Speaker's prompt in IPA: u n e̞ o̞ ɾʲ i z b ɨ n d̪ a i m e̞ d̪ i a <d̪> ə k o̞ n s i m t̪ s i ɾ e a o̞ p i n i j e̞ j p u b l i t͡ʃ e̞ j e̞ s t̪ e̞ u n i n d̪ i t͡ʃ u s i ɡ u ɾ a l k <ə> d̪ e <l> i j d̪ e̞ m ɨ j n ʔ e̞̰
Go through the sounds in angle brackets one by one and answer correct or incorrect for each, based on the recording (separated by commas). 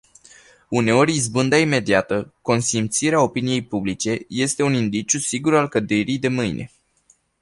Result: incorrect, correct, incorrect